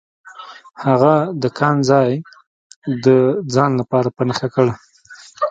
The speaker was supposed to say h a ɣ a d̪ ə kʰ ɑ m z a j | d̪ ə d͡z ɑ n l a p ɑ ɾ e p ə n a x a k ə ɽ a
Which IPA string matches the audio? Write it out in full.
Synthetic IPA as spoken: h a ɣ a d̪ ə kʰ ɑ n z ɑ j | d̪ ə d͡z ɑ n l a p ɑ ɾ a p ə n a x a k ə ɽ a